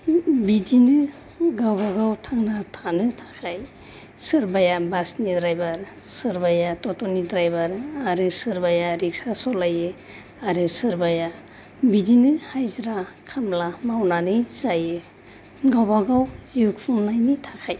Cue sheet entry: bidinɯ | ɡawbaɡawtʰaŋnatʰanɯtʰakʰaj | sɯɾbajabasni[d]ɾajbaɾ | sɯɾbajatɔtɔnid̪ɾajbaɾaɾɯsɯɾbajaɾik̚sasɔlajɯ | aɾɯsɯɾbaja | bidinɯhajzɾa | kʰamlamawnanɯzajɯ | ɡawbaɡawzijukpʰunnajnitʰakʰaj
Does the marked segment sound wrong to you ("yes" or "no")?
no